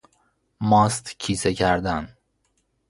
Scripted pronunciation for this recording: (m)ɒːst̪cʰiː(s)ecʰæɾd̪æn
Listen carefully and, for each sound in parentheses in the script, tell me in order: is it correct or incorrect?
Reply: correct, correct

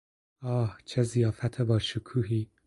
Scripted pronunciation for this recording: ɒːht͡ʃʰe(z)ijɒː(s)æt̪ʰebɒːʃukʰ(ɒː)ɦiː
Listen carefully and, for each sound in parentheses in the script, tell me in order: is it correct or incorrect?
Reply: correct, incorrect: f, incorrect: uː

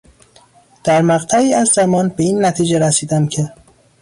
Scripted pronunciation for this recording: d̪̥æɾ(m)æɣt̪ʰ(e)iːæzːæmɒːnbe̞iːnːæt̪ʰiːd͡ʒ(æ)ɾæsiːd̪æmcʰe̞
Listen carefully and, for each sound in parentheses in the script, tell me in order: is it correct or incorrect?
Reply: correct, incorrect: æ, incorrect: e

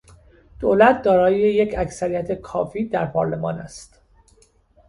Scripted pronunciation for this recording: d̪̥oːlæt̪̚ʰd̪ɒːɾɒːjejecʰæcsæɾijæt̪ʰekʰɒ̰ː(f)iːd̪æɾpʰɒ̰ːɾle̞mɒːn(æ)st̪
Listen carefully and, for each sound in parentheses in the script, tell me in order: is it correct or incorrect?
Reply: correct, correct

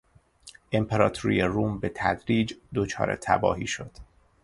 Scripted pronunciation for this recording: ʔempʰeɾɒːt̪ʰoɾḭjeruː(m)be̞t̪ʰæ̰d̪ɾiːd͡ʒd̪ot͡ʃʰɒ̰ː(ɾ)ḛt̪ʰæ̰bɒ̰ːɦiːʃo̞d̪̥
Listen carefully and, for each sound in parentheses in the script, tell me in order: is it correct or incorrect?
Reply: correct, correct

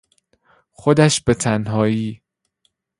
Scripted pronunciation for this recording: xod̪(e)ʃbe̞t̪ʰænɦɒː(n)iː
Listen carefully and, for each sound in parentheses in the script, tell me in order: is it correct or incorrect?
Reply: incorrect: æ, incorrect: none

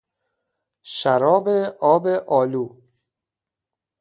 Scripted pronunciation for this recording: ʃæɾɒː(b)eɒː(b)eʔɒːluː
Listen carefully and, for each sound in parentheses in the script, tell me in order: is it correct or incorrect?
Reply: correct, correct

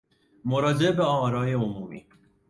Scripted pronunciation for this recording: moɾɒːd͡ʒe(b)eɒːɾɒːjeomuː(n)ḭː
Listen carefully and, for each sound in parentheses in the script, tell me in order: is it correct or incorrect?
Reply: correct, incorrect: m

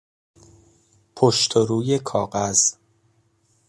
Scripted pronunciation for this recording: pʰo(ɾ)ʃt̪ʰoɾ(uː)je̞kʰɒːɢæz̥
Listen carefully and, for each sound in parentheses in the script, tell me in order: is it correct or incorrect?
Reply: incorrect: none, correct

